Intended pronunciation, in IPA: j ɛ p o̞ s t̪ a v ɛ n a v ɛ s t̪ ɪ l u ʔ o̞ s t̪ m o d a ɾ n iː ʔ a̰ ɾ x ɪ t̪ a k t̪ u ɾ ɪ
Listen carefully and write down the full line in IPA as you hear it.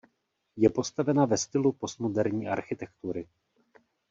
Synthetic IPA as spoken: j ɛ p o̞ s t̪ a v ɛ n a v ɛ s t̪ ɪ l u p o̞ s t̪ m o d ɛ ɾ ɲ iː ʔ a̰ ɾ x ɪ t̪ ɛ k t̪ u ɾ ɪ